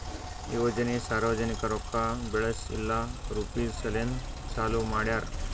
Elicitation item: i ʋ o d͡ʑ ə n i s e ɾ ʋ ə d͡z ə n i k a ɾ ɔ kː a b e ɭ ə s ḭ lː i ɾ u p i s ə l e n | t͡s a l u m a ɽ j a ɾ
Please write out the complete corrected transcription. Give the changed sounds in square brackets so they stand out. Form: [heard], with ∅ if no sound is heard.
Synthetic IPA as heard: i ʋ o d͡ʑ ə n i s [a] ɾ ʋ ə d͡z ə n i k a ɾ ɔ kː a b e ɭ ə s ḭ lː [a] ɾ u p i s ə l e n | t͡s a l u m a ɽ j a ɾ